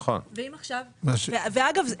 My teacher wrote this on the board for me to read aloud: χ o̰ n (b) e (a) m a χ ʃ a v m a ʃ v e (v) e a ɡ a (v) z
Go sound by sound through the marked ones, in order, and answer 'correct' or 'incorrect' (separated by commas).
incorrect, incorrect, correct, correct